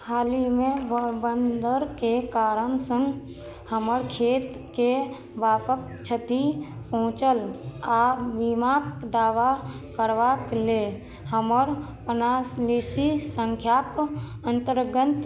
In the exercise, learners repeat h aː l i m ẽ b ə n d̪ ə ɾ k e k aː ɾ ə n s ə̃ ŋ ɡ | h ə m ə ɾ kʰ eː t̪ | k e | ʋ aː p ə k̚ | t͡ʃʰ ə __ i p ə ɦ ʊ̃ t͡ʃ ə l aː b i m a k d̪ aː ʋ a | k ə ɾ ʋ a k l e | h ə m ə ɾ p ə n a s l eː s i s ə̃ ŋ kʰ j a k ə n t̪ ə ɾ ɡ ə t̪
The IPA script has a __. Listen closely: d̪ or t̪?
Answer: t̪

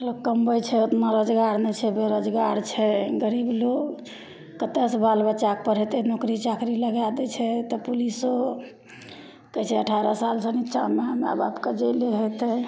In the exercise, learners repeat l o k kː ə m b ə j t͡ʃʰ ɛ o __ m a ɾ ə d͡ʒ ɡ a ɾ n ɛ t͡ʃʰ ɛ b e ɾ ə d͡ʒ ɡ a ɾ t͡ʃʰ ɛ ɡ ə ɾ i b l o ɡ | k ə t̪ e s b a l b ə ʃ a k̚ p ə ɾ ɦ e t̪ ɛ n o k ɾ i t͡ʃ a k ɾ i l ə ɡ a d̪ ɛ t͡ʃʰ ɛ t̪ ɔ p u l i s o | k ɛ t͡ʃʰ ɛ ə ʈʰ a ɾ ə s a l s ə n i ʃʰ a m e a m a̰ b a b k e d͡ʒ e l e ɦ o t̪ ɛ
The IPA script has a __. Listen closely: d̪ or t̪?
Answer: t̪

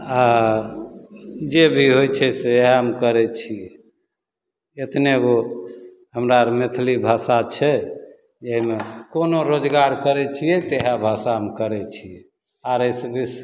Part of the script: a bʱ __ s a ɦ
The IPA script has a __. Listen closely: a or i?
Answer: a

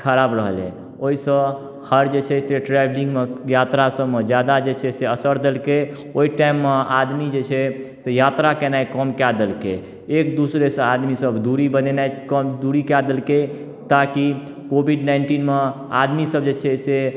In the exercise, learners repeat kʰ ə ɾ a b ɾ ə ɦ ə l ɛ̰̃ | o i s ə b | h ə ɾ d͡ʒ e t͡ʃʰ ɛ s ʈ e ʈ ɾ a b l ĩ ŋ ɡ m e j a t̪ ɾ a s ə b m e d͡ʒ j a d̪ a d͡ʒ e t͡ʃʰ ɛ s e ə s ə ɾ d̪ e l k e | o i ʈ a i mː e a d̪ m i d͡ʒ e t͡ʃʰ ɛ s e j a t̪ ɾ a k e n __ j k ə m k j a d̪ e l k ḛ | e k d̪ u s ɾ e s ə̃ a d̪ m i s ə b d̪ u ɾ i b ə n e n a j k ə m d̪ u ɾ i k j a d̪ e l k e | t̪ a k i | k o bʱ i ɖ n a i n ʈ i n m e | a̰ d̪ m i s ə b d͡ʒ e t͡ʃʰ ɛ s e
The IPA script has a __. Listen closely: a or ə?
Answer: a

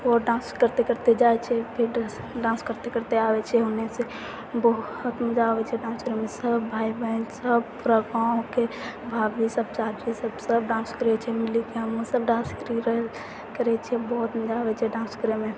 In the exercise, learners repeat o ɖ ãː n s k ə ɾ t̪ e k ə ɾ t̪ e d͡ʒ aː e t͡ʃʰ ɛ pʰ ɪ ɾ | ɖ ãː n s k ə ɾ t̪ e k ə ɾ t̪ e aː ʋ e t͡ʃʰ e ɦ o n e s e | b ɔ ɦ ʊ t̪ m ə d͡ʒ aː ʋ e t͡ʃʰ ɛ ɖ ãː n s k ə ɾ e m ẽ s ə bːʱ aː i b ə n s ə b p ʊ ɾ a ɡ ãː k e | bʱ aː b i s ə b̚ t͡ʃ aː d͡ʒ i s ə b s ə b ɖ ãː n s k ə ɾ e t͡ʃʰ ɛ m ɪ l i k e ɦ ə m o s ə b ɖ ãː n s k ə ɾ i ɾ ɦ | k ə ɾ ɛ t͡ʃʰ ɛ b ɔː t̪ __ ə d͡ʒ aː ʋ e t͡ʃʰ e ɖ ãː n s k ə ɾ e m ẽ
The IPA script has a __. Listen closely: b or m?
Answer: m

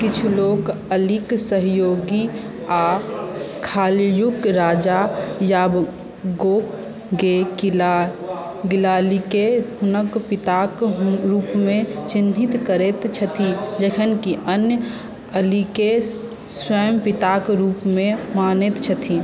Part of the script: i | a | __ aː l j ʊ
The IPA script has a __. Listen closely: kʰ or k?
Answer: kʰ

